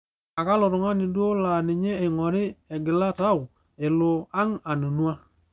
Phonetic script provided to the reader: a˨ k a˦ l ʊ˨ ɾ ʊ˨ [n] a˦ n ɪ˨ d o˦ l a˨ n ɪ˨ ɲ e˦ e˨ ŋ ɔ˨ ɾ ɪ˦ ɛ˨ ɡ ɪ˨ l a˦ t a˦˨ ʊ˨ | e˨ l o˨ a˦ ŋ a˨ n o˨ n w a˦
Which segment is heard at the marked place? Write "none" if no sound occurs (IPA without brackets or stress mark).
ŋ